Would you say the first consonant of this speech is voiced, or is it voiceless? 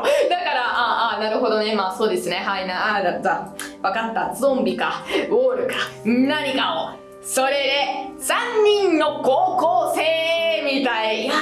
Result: voiced